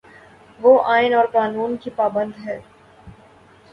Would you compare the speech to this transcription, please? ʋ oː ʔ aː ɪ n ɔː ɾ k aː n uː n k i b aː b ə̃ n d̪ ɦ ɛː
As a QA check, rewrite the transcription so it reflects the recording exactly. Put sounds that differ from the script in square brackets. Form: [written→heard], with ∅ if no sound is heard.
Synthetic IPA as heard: ʋ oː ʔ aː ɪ n ɔː ɾ k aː n uː n k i [b→p] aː b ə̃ n d̪ ɦ ɛː